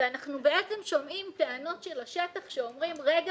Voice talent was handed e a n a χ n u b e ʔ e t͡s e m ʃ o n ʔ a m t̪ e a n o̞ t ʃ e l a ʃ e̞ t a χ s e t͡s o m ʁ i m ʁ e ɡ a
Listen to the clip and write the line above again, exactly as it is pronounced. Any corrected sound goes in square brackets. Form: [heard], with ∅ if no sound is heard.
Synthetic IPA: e a n a χ n u b e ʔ e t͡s e m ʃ o [m] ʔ [i] m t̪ e a n o̞ t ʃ e l a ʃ e̞ t a χ [ʃ] e [∅] o m ʁ i m ʁ e ɡ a